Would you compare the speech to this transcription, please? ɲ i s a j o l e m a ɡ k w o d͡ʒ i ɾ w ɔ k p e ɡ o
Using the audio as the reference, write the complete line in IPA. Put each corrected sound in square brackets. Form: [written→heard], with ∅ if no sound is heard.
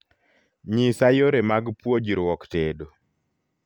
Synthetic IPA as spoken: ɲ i s a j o [l→ɾ] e m a ɡ [k→p] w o d͡ʒ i ɾ w ɔ k [p→t] e [ɡ→d] o